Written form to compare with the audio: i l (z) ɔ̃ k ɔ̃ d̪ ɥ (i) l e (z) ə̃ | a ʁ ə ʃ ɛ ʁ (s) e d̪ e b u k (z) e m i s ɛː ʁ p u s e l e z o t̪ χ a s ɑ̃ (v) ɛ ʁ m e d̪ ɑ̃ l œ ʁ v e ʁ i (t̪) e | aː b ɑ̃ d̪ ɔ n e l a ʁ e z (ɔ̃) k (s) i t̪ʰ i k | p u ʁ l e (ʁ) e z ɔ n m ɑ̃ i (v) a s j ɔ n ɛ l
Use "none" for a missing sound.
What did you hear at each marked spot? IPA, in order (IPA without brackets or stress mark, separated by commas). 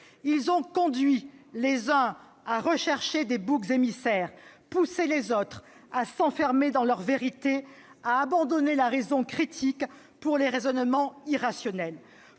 z, i, z, ʃ, z, f, t̪, ɔ̃, χ, ʁ, ʁ